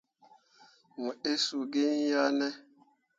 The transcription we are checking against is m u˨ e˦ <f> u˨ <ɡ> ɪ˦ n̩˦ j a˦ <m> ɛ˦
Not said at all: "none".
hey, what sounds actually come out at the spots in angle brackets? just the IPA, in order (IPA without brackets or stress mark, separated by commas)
s, ɡ, n